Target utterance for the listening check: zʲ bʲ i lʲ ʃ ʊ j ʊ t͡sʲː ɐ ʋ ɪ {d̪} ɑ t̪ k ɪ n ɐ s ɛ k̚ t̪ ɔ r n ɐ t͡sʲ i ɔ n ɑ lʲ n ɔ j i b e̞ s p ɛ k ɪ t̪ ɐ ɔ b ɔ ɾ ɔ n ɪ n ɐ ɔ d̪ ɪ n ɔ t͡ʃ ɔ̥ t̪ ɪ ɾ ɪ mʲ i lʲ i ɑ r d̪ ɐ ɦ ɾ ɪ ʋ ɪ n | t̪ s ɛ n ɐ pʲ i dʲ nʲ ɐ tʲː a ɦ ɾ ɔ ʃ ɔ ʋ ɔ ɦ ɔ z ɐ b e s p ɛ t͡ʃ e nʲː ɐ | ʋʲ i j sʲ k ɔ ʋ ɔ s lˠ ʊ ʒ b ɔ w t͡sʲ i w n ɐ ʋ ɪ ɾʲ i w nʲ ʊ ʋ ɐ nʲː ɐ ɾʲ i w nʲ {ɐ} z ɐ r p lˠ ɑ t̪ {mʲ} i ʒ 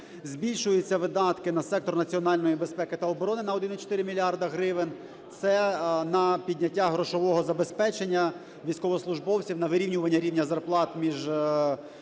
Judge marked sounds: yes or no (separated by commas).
yes, yes, yes